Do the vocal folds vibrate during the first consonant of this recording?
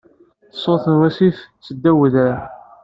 no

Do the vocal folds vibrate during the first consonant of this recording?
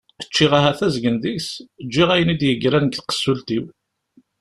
no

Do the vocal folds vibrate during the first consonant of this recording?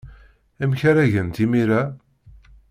yes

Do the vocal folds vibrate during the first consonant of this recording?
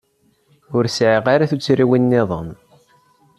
yes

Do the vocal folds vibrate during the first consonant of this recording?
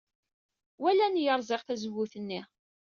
yes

